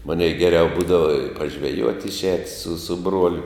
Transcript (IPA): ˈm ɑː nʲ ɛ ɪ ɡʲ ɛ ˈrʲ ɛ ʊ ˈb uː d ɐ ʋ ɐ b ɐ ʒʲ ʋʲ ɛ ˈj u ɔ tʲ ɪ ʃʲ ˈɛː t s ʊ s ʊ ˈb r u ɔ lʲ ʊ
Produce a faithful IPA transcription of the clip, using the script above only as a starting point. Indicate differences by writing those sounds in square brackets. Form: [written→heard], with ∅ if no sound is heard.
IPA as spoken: ˈm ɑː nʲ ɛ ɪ ɡʲ ɛ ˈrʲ ɛ ʊ ˈb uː d ɐ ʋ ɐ [b→p] ɐ ʒʲ ʋʲ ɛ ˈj u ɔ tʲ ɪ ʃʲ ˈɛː t s ʊ s ʊ ˈb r u ɔ lʲ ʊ